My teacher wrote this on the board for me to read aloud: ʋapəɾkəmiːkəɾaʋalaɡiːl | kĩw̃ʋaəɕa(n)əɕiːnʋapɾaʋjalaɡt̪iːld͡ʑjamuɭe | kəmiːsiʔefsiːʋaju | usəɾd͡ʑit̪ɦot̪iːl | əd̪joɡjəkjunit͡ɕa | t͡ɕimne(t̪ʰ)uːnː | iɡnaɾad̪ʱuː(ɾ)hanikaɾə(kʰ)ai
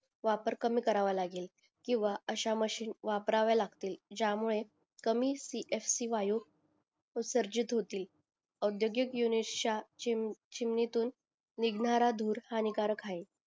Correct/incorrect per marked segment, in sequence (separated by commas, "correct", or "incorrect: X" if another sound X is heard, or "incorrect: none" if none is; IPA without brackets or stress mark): incorrect: m, incorrect: t̪, correct, correct